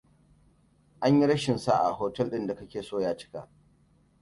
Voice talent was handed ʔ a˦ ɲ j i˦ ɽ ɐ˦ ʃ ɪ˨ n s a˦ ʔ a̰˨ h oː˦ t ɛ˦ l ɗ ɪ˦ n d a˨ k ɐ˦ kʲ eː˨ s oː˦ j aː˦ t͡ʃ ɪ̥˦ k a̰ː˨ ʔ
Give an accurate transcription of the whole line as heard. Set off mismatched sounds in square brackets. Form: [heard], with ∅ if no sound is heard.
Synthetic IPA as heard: ʔ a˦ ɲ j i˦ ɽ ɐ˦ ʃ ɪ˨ n s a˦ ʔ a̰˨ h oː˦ t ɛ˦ l ɗ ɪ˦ n d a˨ k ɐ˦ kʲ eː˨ s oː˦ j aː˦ t͡ʃ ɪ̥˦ k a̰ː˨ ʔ